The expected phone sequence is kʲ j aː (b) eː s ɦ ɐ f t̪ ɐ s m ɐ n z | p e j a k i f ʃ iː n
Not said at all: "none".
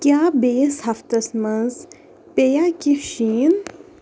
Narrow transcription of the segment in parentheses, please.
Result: b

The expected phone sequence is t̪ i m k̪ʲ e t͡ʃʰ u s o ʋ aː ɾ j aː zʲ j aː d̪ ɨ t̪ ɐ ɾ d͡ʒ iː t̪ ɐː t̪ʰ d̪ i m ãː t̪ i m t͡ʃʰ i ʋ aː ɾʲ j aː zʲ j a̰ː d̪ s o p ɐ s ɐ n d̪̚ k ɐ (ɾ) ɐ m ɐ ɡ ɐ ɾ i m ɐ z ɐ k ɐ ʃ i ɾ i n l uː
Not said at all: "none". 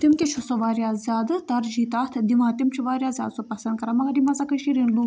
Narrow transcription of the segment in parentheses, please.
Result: ɾ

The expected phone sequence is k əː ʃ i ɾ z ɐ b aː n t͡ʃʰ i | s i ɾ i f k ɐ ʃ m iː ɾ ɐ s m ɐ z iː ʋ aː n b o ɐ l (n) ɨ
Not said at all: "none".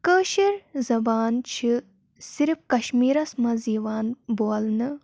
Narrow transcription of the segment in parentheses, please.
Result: n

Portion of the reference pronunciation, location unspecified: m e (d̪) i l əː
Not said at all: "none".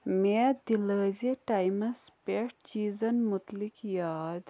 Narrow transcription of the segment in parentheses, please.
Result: d̪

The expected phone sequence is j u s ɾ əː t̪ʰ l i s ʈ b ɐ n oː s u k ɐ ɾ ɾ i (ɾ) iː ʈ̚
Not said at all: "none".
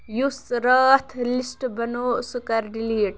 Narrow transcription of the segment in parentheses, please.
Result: l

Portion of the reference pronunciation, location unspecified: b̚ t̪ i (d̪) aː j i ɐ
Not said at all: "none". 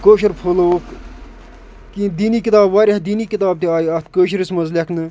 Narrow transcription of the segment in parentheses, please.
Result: none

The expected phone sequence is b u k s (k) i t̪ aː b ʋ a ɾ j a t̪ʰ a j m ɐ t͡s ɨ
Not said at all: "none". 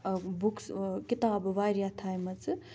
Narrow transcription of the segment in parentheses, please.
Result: k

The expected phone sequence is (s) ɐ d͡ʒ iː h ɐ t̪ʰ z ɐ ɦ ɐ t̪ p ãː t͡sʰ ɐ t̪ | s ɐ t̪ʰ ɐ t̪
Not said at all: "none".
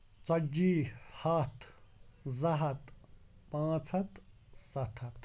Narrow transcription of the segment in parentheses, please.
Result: t͡s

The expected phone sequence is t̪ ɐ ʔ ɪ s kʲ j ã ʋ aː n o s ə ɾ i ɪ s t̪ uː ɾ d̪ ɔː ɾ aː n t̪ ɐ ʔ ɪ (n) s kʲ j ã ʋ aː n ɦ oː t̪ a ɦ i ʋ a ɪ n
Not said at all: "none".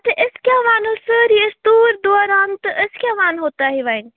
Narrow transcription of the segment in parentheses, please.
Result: none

